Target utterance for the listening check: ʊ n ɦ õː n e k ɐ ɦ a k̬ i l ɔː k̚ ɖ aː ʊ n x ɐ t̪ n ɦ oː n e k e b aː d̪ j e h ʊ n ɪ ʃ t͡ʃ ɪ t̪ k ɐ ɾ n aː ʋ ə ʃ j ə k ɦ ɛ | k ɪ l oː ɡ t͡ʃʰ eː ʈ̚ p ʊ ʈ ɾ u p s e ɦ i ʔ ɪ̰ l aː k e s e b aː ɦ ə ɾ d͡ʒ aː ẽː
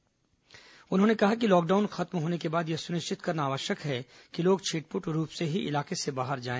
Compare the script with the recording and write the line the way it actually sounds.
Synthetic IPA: ʊ n ɦ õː n e k ɐ ɦ a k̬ i l ɔː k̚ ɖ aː ʊ n x ɐ t̪ m ɦ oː n e k e b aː d̪ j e s ʊ n ɪ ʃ t͡ʃ ɪ t̪ k ɐ ɾ n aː ʋ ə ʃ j ə k ɦ ɛ | k i l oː ɡ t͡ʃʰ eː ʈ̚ p ʊ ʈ ɾ uː p s e ɦ i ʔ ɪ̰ l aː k e s e b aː ɦ ə ɾ d͡ʒ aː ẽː